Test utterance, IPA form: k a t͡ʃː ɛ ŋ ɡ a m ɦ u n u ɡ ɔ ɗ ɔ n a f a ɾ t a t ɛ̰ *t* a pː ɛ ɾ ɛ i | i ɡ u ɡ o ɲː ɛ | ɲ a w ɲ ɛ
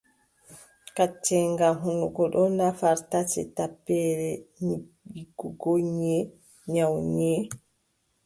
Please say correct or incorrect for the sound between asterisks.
correct